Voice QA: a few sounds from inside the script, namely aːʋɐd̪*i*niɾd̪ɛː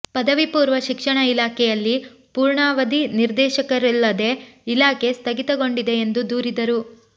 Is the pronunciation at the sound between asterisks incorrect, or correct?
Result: correct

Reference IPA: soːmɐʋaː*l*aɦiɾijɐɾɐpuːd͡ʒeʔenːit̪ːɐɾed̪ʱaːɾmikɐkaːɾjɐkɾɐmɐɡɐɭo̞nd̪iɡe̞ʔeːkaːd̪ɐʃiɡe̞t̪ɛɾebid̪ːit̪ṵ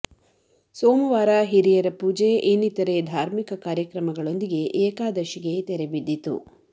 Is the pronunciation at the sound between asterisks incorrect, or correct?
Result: incorrect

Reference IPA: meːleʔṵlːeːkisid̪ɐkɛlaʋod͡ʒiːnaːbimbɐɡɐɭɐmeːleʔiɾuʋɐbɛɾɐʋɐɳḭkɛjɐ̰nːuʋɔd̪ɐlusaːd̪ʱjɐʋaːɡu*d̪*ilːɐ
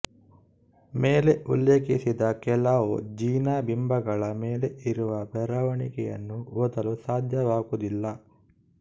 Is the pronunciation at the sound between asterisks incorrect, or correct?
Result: correct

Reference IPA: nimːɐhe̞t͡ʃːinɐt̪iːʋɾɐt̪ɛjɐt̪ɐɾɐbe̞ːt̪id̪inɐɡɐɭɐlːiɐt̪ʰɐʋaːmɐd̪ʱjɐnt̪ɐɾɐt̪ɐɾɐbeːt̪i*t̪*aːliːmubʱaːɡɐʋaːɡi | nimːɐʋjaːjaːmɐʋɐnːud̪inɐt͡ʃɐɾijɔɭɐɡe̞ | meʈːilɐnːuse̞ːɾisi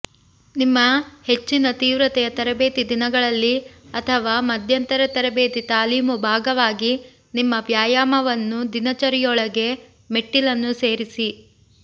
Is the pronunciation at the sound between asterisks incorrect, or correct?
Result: correct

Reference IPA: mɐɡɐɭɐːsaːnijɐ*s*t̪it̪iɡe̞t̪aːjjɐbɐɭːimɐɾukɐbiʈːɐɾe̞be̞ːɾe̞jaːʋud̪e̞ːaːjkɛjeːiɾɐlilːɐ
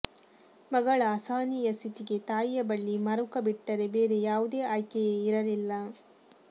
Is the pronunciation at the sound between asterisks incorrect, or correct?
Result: correct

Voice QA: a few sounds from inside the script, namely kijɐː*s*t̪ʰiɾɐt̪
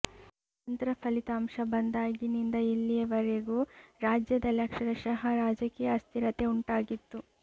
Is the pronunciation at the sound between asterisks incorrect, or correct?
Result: correct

